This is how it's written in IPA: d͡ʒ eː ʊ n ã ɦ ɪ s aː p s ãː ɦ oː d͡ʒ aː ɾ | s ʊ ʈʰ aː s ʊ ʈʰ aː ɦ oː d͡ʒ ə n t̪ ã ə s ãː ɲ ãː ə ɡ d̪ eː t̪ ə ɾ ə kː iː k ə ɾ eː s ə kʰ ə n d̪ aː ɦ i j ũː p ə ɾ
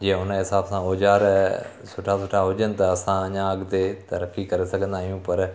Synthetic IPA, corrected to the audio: d͡ʒ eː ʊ n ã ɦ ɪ s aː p s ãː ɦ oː d͡ʒ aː ɾ | s ʊ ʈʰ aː s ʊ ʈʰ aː ɦ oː d͡ʒ ə n t̪ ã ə s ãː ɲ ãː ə ɡ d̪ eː t̪ ə ɾ ə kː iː k ə ɾ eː s ə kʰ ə n d̪ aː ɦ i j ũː p ə ɾ